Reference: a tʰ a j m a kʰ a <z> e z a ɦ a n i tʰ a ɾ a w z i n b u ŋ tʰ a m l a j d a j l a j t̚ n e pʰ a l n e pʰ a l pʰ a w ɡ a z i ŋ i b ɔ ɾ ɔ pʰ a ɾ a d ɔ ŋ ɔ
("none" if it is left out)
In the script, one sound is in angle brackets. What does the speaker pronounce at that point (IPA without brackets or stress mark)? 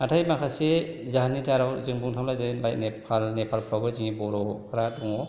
s